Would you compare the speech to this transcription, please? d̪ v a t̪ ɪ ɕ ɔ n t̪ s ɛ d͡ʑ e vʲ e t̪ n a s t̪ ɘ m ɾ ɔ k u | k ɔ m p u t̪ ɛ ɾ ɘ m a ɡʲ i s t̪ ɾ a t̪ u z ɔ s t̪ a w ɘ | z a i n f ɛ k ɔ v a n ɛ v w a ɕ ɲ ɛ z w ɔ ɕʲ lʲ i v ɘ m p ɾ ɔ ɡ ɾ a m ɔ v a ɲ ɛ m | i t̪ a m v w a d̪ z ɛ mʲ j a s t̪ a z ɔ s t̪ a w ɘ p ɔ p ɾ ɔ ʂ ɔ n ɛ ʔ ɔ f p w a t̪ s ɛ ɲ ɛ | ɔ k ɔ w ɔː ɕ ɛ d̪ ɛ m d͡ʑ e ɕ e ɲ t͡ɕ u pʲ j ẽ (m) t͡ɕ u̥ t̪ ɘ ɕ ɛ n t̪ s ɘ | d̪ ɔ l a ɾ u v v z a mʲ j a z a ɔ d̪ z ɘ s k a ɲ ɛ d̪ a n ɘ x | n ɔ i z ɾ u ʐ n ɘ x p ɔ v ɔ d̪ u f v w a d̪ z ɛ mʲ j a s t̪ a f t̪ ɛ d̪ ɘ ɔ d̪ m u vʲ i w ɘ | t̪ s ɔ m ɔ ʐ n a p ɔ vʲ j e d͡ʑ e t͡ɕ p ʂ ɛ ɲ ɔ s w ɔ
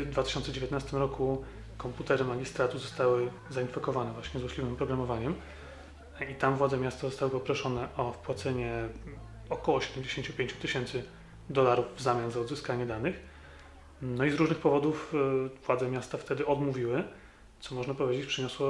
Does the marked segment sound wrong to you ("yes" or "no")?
yes